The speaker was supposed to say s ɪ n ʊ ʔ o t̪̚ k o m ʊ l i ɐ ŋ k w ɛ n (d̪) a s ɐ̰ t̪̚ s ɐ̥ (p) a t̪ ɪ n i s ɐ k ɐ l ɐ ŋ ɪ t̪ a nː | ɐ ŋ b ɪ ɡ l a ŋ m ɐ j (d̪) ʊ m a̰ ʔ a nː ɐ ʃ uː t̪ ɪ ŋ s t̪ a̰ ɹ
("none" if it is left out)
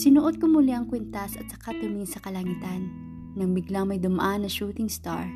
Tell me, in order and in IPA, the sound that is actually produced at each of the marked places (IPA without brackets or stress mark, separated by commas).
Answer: t̪, k, d̪